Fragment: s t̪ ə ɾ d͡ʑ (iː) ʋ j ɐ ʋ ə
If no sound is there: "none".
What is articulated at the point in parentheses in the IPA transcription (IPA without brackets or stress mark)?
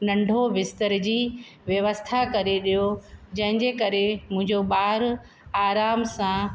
iː